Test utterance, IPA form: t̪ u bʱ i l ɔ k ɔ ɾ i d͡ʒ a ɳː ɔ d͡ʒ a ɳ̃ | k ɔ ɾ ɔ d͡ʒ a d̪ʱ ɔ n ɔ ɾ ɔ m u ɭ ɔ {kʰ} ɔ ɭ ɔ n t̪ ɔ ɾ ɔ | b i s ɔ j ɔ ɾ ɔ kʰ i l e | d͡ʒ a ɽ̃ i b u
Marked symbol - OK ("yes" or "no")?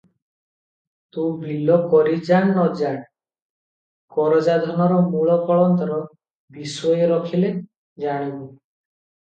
no